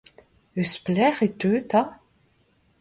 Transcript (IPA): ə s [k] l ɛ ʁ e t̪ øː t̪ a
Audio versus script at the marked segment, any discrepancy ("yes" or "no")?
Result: yes